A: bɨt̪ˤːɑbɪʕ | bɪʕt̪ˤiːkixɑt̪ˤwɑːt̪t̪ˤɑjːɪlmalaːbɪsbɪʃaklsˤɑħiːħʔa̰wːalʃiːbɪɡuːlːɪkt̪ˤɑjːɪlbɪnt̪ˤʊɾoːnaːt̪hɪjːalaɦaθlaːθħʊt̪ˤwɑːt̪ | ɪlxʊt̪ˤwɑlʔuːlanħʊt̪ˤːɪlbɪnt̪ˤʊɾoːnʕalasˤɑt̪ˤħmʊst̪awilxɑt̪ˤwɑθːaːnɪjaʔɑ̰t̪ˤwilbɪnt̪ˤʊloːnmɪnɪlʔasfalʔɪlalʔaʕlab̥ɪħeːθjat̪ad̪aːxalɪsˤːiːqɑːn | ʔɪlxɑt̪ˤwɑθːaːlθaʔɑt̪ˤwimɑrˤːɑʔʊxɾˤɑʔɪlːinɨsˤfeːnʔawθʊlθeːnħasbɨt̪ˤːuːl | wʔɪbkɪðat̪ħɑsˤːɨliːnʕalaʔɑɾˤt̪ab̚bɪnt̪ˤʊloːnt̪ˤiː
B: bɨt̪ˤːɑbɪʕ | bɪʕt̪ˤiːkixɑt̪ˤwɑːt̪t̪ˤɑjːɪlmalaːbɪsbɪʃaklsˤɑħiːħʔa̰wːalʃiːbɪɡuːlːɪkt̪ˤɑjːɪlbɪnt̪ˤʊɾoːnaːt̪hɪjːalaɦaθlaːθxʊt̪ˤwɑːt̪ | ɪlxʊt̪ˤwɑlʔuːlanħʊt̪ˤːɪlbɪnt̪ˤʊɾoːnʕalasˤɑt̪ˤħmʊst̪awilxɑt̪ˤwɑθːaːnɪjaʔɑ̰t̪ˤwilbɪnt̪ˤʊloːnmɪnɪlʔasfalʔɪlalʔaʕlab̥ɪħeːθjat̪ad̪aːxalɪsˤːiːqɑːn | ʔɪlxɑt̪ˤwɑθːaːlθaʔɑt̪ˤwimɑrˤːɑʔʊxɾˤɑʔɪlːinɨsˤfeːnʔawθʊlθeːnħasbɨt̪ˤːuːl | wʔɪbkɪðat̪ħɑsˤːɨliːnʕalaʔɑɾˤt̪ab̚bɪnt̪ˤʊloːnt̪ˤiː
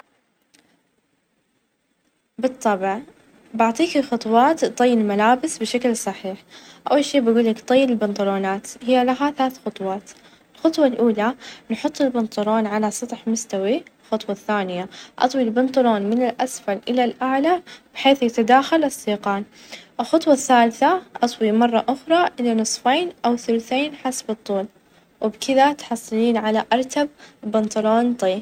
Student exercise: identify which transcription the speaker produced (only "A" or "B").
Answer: B